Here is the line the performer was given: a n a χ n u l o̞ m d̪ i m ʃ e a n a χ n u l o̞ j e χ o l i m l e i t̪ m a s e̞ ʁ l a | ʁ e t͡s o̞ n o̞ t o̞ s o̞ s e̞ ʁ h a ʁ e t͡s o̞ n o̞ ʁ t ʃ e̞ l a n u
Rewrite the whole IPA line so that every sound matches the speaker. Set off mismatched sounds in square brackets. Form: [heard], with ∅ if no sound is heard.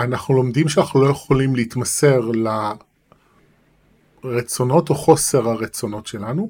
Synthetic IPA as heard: a n a χ n u l o̞ m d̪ i m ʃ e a n a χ n u l o̞ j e χ o l i m l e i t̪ m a s e̞ ʁ l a | ʁ e t͡s o̞ n o̞ t o̞ [χ] o̞ s e̞ ʁ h a ʁ e t͡s o̞ n o̞ [∅] t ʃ e̞ l a n u